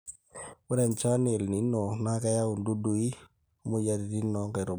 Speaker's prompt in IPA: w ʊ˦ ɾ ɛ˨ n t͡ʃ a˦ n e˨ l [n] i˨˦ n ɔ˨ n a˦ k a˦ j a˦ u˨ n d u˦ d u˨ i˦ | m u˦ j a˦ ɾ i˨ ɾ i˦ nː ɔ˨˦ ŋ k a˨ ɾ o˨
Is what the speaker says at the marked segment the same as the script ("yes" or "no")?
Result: yes